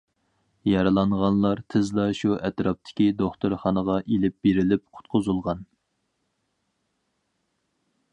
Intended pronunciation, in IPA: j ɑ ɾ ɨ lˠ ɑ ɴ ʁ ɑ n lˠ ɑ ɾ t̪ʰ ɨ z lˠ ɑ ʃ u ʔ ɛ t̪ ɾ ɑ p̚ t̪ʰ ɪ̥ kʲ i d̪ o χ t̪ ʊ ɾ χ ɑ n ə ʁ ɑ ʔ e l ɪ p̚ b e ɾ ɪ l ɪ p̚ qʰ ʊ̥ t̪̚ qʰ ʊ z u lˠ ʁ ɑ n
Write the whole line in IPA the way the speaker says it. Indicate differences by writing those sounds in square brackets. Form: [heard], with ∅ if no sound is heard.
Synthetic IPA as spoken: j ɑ ɾ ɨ lˠ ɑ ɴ ʁ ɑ n lˠ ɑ ɾ t̪ʰ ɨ z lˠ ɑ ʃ u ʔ ɛ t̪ ɾ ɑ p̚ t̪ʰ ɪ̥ kʲ i d̪ o χ t̪ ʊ ɾ χ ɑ n ə ʁ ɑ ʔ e l ɪ p̚ b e ɾ ɪ l ɪ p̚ qʰ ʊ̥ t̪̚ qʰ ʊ z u lˠ ʁ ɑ n